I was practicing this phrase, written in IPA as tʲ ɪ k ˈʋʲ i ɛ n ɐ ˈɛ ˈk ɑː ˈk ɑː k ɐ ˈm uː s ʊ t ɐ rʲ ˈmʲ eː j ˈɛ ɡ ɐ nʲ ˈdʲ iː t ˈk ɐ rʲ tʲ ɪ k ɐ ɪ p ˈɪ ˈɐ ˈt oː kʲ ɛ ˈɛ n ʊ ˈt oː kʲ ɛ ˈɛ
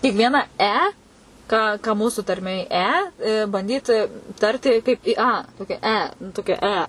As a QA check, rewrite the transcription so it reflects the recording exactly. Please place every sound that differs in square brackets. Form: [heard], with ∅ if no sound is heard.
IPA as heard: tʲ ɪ k ˈʋʲ i ɛ n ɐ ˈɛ ˈk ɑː ˈk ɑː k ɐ ˈm uː s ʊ t ɐ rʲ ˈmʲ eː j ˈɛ [b] ɐ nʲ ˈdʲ iː t [ˈt] ɐ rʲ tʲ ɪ k ɐ ɪ p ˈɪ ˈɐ ˈt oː kʲ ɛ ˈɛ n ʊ ˈt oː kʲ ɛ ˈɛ